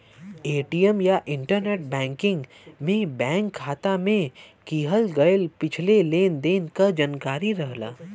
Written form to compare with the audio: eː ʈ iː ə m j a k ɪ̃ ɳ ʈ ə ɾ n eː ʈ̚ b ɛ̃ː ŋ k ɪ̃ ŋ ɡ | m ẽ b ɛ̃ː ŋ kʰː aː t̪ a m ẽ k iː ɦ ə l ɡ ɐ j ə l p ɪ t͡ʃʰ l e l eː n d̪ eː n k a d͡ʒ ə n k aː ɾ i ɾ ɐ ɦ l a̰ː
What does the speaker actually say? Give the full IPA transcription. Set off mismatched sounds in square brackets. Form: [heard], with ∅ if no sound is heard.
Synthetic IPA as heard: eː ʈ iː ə m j a [ʔ] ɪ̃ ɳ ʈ ə ɾ n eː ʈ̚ b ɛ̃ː ŋ k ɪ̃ ŋ ɡ | m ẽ b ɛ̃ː ŋ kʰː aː t̪ a m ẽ k iː ɦ ə l ɡ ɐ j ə l p ɪ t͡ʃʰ l e l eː n d̪ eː n k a d͡ʒ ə n k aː ɾ i ɾ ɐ ɦ l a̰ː